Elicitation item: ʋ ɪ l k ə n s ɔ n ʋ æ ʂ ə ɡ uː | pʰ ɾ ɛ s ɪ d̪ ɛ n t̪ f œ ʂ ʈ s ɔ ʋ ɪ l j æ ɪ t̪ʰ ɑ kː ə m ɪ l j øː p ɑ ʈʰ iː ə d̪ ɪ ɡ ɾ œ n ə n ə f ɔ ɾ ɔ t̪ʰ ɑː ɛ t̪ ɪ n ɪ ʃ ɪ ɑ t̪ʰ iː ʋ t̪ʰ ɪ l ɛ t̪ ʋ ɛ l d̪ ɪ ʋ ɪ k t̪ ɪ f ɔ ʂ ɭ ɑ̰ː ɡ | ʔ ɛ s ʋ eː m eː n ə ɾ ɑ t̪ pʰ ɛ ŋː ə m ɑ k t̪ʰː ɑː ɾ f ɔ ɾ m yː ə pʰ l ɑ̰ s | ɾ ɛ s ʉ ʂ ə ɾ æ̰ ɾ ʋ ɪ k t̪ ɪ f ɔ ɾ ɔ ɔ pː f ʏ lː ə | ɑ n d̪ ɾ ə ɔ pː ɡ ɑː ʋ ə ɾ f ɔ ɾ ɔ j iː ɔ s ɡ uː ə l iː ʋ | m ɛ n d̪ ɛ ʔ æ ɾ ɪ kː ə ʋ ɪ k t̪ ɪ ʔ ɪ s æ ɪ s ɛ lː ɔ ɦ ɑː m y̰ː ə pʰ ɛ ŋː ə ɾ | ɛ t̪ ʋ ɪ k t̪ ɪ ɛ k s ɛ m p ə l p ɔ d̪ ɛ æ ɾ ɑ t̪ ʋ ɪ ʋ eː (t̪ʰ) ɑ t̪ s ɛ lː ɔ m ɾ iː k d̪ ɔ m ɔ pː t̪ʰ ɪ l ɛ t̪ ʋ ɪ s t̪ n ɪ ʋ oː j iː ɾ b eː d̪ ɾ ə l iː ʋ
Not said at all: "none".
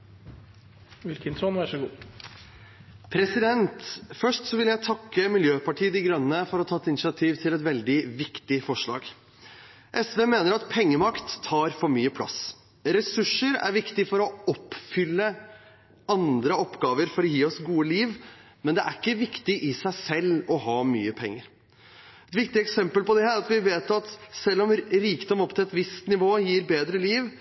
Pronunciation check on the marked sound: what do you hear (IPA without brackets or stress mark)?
t̪